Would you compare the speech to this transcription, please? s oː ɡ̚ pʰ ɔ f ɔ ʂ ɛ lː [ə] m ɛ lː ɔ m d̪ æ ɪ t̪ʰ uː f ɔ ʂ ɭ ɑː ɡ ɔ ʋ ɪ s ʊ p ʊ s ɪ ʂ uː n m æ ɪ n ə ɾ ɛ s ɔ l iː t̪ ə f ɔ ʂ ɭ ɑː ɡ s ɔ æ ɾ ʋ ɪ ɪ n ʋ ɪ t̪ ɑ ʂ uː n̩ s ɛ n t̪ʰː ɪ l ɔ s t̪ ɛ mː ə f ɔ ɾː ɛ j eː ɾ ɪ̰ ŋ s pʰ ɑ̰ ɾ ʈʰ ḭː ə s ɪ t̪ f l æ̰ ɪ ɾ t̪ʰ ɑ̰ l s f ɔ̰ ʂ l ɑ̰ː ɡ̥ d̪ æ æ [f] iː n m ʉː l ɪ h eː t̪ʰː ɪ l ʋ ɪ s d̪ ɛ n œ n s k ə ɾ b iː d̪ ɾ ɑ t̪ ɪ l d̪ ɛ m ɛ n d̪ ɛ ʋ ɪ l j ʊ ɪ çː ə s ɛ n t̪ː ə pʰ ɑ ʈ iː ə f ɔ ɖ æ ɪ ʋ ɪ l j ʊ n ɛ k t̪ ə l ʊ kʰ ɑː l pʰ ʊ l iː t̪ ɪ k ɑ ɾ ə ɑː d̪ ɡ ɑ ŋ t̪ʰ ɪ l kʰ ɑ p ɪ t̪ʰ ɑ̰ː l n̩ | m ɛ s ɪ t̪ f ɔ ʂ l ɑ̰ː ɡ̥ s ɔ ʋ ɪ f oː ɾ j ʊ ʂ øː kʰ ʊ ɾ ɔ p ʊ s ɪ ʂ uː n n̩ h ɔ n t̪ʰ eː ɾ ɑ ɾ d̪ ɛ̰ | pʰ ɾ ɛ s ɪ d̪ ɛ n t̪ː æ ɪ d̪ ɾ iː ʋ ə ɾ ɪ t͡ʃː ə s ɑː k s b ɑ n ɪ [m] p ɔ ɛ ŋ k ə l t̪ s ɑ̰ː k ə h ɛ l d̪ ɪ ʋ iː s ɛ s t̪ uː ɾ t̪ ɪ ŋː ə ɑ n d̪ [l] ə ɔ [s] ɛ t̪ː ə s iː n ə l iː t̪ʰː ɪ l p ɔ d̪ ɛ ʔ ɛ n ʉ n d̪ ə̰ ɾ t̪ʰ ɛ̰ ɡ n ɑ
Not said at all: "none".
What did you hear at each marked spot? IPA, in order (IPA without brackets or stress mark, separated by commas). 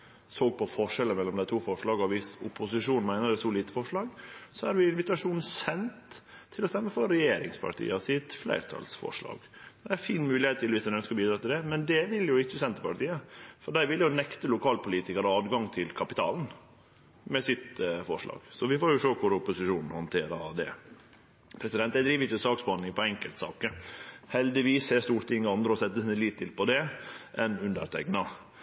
ə, f, ŋ, ɾ, s